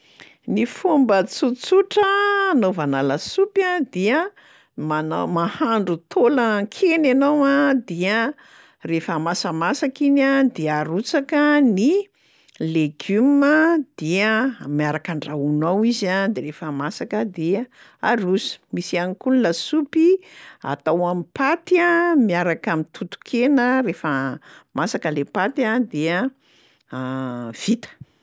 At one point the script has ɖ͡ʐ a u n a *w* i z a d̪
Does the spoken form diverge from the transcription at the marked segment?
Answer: no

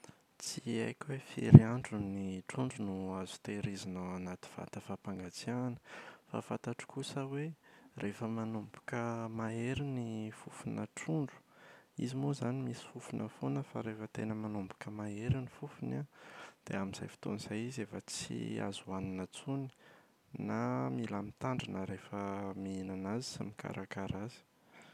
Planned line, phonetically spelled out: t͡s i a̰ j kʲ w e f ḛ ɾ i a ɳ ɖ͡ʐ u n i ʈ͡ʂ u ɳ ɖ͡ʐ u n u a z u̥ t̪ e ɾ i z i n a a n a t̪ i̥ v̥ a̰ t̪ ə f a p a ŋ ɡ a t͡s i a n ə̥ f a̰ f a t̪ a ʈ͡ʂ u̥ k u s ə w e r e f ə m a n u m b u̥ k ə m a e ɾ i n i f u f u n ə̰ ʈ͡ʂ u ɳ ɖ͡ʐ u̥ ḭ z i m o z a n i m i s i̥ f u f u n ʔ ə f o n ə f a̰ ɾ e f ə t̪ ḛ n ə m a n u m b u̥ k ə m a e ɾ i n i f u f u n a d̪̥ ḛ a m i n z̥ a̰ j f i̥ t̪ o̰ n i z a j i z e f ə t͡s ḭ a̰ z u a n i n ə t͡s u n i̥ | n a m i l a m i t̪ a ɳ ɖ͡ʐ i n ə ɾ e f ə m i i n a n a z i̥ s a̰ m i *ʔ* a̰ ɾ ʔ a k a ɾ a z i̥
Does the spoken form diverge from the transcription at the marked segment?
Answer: yes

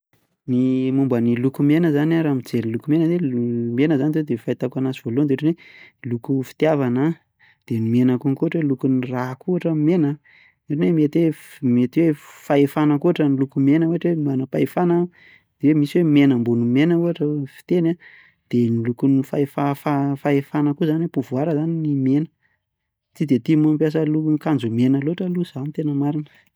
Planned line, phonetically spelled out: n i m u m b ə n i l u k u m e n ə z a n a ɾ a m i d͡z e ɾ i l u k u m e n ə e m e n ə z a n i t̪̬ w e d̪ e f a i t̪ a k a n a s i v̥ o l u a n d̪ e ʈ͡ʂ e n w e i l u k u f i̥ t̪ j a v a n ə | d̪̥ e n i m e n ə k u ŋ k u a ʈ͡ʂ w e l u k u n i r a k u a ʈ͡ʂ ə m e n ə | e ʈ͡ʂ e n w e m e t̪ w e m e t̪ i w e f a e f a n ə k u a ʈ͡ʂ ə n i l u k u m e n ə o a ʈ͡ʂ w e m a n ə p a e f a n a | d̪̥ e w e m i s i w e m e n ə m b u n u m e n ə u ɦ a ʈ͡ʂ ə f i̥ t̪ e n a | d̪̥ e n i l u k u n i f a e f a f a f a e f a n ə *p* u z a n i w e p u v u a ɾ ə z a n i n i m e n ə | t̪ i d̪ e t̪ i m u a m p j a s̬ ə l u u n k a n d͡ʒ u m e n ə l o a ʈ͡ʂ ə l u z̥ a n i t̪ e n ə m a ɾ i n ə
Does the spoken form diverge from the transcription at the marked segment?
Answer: yes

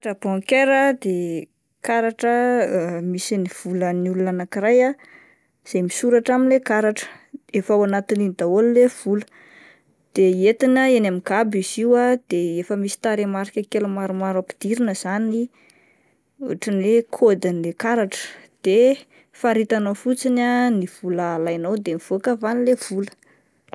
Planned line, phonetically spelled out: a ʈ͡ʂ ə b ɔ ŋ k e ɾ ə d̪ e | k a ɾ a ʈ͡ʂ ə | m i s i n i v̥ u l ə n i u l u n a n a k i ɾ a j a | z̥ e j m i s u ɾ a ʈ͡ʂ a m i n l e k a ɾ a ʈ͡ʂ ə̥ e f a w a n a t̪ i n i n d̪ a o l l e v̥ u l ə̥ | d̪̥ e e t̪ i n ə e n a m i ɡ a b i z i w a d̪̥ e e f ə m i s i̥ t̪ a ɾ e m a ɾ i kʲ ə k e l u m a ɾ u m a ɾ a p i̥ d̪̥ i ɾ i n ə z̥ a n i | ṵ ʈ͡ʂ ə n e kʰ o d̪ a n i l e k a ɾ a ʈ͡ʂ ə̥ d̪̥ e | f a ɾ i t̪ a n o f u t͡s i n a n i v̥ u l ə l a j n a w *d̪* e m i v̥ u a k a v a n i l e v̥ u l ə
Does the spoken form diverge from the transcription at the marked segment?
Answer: no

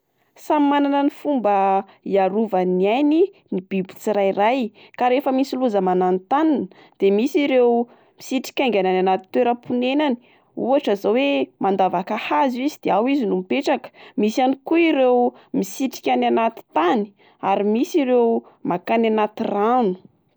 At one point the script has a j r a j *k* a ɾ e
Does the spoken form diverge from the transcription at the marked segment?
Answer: no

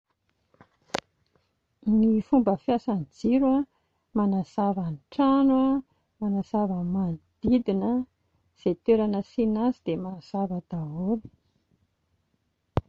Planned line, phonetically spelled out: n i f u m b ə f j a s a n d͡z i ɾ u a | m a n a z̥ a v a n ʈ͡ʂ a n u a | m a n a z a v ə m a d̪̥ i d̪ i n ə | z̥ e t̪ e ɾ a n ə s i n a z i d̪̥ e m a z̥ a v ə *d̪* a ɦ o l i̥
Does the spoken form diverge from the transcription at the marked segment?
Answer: no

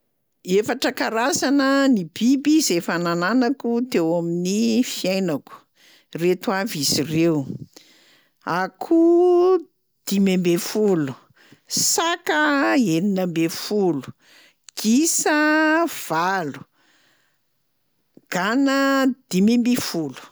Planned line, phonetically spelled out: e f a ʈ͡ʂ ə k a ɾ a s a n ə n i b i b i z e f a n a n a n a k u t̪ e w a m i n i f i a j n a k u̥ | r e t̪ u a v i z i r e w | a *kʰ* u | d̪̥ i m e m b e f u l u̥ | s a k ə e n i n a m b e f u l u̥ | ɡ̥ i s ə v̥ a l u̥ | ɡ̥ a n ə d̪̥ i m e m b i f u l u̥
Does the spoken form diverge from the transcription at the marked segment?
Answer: no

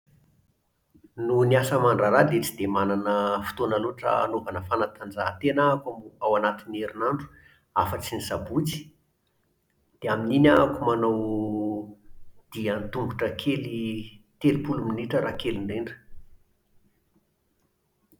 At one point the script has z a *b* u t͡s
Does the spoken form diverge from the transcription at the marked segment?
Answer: no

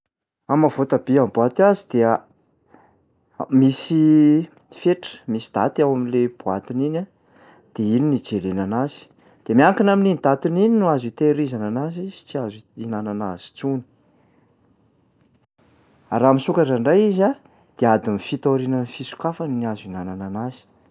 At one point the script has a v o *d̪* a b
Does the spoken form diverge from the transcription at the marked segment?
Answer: yes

